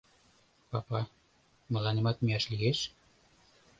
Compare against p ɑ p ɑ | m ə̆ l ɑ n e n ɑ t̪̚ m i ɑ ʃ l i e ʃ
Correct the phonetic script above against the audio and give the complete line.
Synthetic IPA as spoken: p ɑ p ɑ | m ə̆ l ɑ n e m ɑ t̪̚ m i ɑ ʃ l i e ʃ